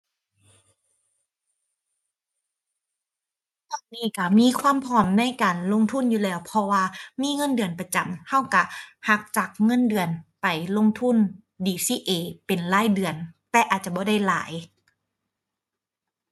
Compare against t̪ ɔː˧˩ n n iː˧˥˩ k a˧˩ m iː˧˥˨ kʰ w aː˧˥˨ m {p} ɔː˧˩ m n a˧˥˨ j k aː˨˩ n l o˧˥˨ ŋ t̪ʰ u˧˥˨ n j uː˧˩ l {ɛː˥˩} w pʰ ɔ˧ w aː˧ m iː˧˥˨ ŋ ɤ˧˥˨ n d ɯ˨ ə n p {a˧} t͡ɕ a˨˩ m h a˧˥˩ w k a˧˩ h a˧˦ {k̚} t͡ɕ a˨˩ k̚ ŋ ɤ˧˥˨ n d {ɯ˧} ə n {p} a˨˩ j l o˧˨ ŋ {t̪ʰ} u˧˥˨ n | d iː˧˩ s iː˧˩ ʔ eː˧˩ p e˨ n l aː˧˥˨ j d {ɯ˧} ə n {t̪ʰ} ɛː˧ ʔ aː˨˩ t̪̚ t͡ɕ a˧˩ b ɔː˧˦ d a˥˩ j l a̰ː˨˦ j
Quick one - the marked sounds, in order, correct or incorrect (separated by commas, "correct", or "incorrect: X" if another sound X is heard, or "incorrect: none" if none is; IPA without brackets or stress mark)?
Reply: incorrect: pʰ, incorrect: ɛː˧˩, correct, correct, incorrect: ɯ˨˩, correct, correct, incorrect: ɯ˨˩, incorrect: t̪